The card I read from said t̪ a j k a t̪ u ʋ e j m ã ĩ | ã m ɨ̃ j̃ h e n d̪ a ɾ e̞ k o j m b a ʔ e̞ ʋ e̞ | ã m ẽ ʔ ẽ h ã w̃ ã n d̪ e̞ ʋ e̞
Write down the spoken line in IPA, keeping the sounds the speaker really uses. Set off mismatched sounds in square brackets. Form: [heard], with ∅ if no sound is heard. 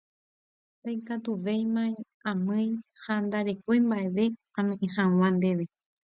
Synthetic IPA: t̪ a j k a t̪ u ʋ e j m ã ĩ | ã m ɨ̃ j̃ h [a] n d̪ a ɾ e̞ k o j m b a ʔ e̞ ʋ e̞ | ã m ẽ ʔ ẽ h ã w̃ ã n d̪ e̞ ʋ e̞